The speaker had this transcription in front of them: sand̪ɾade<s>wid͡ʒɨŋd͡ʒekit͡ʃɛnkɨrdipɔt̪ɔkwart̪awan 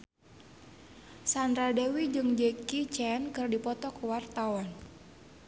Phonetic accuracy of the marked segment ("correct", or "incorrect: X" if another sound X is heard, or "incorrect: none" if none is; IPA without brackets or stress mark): incorrect: none